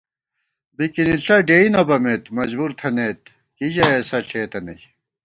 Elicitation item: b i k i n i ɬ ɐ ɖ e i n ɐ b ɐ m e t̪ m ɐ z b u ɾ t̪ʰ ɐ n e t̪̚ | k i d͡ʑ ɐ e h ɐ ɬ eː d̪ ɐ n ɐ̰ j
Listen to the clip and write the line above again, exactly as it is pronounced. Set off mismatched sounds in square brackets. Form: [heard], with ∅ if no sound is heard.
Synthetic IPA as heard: b i k i n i ɬ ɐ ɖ e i n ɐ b ɐ m e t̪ m ɐ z b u ɾ t̪ʰ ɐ n e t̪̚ | k i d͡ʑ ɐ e [s] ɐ ɬ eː [t̪] ɐ n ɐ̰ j